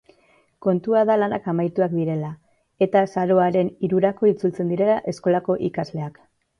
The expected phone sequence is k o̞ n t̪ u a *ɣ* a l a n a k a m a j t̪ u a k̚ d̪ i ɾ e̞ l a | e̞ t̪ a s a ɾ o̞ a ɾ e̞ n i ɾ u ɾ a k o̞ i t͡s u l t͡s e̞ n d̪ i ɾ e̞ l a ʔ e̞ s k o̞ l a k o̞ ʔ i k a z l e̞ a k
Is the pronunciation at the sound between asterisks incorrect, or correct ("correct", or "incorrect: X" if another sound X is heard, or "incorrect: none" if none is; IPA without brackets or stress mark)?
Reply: incorrect: ð